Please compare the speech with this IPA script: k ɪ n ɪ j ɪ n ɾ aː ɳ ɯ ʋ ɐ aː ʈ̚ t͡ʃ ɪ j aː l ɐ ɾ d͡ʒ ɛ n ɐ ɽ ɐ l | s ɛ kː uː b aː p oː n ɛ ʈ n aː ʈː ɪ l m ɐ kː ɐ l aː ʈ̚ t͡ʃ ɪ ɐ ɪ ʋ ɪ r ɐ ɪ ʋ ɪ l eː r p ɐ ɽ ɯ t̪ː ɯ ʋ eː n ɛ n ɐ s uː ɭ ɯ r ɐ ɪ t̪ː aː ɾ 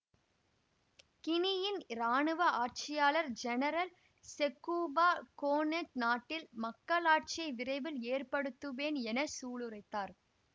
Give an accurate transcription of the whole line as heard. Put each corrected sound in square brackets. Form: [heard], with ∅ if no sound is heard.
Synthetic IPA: k ɪ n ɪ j ɪ n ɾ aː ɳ ɯ ʋ ɐ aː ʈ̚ t͡ʃ ɪ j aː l ɐ ɾ d͡ʒ ɛ n ɐ [ɾ] ɐ l | s ɛ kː uː b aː [k] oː n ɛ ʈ n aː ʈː ɪ l m ɐ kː ɐ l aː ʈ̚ t͡ʃ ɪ ɐ ɪ ʋ ɪ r ɐ ɪ ʋ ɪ l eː r p ɐ ɽ ɯ t̪ː ɯ ʋ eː n ɛ n ɐ s uː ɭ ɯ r ɐ ɪ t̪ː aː ɾ